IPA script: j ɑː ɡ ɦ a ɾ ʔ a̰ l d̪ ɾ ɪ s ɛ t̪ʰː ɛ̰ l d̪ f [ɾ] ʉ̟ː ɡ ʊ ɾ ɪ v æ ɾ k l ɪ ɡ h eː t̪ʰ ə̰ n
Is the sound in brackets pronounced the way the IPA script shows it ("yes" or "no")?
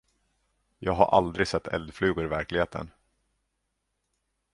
no